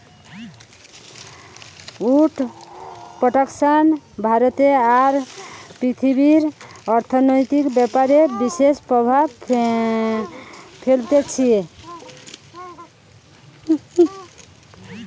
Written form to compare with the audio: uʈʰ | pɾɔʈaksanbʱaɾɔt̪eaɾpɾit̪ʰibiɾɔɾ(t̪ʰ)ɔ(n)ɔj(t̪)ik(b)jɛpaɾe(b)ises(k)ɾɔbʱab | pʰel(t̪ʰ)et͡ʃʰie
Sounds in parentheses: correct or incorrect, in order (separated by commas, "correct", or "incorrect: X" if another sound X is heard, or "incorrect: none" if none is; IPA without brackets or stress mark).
correct, correct, correct, correct, correct, incorrect: p, incorrect: t̪